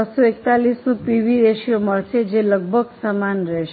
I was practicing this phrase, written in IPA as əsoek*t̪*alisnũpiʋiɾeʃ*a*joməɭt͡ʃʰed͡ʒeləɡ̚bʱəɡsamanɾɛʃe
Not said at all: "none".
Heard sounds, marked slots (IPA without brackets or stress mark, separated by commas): t̪, i